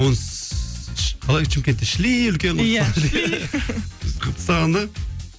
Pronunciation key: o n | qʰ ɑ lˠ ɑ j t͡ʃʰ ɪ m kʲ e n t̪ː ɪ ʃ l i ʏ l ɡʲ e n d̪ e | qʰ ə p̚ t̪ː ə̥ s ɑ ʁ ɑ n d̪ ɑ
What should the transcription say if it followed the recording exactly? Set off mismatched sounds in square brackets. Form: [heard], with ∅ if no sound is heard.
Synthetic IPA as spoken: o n | qʰ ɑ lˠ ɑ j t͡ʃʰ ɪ m kʲ e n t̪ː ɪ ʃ l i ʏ l [kʲ] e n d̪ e | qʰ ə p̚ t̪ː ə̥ s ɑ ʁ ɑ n d̪ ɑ